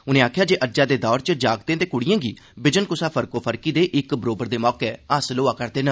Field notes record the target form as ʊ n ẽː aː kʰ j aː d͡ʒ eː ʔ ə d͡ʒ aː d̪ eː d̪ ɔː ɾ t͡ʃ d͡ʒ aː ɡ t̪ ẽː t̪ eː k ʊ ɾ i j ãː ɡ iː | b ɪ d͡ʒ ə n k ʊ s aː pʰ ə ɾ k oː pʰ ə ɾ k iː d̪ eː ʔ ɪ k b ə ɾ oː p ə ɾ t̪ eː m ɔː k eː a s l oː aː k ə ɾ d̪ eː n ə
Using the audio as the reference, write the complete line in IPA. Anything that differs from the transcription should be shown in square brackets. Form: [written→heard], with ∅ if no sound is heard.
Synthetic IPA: ʊ n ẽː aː kʰ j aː d͡ʒ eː ʔ ə d͡ʒ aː d̪ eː d̪ ɔː ɾ t͡ʃ d͡ʒ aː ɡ t̪ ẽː t̪ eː k ʊ [ɾ→ɽ] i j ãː ɡ iː | b ɪ d͡ʒ ə n k ʊ s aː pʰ ə ɾ k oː pʰ ə ɾ k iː d̪ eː ʔ ɪ k b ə ɾ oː [p→b] ə ɾ [t̪→d̪] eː m ɔː k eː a s l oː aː k ə ɾ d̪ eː n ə